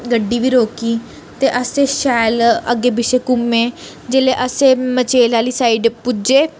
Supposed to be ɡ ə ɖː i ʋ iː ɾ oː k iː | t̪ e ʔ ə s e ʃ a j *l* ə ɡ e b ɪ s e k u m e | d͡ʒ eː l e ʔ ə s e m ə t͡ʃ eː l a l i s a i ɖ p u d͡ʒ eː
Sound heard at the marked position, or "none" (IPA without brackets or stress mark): l